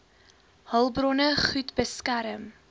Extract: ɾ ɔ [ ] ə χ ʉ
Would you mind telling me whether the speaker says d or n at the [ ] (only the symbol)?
n